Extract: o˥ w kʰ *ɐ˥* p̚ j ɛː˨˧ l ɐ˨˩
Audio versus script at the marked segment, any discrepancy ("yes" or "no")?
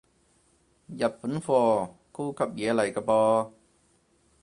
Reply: yes